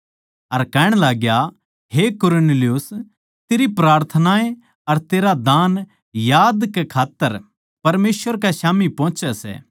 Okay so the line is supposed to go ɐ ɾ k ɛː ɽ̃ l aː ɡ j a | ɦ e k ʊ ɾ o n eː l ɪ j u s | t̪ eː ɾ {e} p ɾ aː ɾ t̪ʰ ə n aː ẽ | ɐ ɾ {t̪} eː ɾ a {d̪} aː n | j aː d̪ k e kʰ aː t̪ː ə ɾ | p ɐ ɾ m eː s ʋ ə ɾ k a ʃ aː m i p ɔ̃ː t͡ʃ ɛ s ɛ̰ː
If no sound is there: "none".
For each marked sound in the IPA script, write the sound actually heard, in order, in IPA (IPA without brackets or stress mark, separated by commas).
i, t̪, d̪